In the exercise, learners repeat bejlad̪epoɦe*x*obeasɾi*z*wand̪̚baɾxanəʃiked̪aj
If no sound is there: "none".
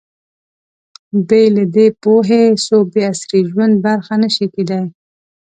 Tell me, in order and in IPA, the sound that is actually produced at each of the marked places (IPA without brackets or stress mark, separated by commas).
s, ʒ